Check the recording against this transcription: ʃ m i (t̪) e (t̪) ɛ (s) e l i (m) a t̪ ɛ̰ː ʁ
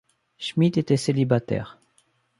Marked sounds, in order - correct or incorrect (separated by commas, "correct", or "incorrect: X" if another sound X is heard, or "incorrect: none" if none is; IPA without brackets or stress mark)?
correct, correct, correct, incorrect: b